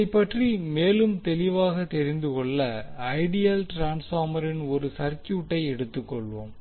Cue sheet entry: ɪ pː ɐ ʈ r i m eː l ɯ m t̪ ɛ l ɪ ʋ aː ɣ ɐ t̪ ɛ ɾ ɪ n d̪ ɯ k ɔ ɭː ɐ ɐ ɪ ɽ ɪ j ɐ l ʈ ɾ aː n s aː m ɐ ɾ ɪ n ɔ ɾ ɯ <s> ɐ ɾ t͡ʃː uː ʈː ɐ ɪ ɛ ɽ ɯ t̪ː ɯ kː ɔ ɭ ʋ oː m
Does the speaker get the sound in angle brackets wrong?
no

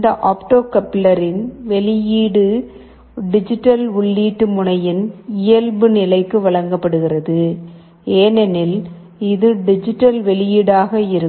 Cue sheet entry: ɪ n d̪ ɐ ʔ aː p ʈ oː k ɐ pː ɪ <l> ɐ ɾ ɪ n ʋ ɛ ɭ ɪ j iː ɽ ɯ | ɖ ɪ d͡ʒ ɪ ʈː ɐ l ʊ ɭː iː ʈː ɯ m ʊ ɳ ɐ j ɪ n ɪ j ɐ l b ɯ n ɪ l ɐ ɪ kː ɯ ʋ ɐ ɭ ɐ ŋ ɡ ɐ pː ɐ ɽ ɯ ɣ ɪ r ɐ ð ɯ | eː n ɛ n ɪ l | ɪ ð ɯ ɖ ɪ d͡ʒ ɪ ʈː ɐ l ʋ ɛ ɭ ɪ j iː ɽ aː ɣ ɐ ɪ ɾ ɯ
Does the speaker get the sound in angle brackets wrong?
no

